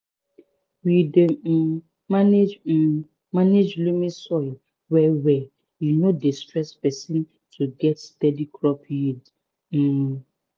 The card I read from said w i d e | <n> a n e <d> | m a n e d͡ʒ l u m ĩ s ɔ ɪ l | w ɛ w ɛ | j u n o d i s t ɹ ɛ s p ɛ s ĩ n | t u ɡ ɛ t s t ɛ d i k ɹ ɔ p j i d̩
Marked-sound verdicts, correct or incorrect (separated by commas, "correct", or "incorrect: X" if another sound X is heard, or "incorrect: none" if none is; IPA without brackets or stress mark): incorrect: m, incorrect: d͡ʒ